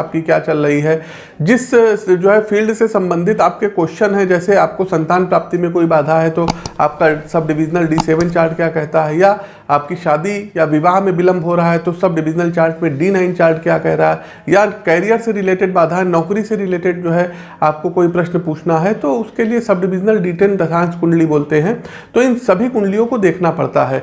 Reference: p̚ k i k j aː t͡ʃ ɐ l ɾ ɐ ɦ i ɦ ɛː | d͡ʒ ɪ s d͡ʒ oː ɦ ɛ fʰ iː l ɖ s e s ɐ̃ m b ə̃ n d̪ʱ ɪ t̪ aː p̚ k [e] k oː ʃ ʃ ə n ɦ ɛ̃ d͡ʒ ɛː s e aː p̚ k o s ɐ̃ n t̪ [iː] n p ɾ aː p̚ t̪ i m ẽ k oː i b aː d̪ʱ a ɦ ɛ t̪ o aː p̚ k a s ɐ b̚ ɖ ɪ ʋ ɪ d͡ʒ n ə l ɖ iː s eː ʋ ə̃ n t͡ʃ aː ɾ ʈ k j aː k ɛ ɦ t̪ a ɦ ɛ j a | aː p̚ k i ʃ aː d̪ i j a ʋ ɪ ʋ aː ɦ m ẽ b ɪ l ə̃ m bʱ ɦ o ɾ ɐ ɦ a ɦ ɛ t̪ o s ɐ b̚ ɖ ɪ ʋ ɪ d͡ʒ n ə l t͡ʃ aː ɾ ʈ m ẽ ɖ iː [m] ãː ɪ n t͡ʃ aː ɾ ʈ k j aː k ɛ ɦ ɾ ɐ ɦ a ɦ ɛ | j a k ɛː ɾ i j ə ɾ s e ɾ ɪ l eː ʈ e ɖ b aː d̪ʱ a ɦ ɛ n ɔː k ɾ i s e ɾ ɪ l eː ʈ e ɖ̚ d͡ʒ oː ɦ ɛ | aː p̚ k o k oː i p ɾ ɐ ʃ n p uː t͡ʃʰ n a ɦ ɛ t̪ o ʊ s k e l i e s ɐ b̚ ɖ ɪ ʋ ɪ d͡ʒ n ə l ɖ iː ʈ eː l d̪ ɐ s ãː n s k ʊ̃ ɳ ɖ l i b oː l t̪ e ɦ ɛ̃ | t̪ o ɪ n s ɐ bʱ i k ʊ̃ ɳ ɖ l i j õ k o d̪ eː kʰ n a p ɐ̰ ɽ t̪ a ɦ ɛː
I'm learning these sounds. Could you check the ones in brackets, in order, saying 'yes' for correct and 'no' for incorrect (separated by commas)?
yes, no, no